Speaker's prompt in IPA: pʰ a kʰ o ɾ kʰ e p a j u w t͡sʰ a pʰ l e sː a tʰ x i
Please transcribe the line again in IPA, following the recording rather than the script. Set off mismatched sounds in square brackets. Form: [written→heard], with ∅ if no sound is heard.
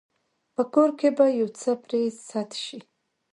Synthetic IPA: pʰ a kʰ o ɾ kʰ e [p→b] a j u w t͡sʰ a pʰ [l→r] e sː a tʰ [x→ʃ] i